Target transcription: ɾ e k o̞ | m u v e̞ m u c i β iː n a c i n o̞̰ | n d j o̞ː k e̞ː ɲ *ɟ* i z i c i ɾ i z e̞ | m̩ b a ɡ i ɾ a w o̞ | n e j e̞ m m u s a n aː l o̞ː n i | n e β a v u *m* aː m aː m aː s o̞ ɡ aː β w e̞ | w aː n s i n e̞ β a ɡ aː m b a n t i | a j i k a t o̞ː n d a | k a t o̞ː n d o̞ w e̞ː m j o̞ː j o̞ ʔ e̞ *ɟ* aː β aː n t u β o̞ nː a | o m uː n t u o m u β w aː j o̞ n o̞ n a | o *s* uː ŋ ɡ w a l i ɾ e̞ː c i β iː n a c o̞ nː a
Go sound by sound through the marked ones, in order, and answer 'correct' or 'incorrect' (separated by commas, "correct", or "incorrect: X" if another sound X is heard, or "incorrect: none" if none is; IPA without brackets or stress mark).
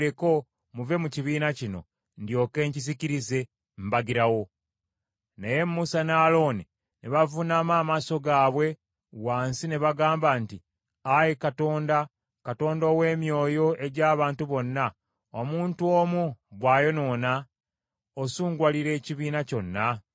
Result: incorrect: c, incorrect: n, correct, correct